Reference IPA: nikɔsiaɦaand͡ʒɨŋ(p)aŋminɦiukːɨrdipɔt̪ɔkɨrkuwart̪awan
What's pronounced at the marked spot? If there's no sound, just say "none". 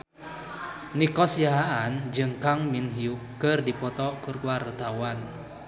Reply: k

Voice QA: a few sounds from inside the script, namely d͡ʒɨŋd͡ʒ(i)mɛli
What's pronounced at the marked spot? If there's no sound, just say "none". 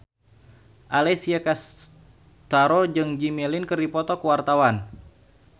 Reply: i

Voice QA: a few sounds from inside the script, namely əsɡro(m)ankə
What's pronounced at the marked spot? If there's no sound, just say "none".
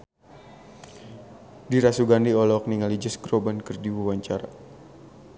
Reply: b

